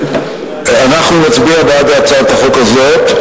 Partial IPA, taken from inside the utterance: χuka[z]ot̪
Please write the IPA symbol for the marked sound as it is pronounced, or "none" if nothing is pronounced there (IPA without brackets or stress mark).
z